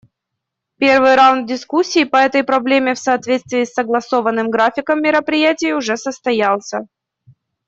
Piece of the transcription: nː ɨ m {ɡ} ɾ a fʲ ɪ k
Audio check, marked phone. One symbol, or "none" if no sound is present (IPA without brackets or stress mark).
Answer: ɡ